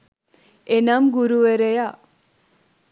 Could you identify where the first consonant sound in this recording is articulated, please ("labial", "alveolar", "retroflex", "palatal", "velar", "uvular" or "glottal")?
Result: alveolar